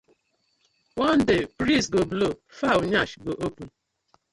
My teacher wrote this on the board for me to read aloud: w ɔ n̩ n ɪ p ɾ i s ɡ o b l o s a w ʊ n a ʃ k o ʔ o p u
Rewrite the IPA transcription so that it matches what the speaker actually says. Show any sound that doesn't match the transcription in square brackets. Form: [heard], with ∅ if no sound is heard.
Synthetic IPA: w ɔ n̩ [d] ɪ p ɾ i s ɡ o b l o [f] a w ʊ [ɲ] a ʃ [ɡ] o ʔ o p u